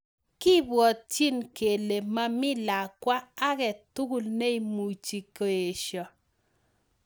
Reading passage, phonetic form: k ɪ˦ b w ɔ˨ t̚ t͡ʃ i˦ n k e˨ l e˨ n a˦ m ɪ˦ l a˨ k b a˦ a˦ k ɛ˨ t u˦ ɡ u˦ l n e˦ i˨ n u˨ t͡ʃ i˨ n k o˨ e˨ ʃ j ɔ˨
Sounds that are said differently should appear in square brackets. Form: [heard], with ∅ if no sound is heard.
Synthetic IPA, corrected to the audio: k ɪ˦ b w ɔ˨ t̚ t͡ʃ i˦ n k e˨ l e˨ [m] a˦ m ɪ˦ l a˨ k [w] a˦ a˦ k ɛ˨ t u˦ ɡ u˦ l n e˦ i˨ [m] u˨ t͡ʃ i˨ [∅] k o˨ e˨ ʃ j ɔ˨

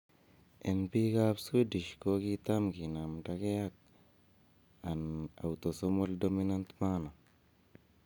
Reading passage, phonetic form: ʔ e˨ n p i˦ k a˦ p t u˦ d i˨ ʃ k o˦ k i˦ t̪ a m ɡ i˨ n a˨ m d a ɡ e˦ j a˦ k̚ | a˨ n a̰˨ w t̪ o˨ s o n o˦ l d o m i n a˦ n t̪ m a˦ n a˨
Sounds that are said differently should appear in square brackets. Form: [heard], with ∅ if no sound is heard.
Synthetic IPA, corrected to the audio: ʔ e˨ n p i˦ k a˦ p [s] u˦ d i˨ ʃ k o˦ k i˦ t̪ a m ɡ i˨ n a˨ m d a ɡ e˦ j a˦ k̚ | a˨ n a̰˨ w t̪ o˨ s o [m] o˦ l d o m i n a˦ n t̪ m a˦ n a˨

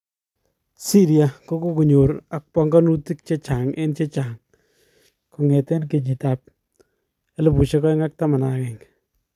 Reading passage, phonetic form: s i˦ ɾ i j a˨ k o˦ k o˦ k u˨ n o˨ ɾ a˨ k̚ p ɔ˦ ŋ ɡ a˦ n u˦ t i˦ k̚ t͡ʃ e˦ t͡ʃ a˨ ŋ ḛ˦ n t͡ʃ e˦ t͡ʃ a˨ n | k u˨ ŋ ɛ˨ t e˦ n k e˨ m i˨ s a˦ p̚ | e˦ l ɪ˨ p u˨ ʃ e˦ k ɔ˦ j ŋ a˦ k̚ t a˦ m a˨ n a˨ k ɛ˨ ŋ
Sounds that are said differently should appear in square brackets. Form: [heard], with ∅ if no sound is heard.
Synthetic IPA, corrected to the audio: s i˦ ɾ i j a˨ k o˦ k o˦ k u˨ [ɲ] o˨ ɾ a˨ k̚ p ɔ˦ ŋ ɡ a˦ n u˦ t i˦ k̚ t͡ʃ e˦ t͡ʃ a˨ ŋ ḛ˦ n t͡ʃ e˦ t͡ʃ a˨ [ŋ] | k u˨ ŋ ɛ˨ t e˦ n k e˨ [ɲ] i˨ [t] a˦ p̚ | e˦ l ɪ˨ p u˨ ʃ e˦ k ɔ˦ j ŋ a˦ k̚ t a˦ m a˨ n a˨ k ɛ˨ ŋ

